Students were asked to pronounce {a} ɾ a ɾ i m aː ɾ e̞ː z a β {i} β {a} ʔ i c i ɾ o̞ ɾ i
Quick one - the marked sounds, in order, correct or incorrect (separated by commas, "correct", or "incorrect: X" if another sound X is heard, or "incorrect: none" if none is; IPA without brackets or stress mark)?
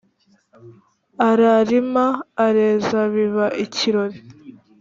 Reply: correct, correct, correct